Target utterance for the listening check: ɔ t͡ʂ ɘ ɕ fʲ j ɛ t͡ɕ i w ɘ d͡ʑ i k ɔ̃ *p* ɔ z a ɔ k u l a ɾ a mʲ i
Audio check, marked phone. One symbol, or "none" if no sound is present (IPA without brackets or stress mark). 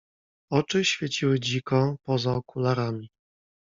p